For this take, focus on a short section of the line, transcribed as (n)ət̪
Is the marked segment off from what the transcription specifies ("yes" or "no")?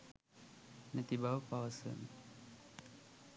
no